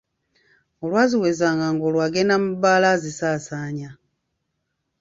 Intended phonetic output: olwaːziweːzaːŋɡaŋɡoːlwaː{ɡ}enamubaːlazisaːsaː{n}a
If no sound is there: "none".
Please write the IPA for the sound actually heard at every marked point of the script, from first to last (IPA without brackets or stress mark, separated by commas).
ɡ, ɲ